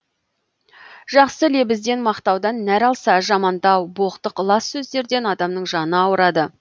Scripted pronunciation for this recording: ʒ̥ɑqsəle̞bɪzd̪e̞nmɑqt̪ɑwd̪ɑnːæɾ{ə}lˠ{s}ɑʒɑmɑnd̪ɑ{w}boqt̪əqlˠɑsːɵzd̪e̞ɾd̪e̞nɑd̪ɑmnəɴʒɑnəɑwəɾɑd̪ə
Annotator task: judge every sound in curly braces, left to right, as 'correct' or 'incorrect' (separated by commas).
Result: incorrect, correct, correct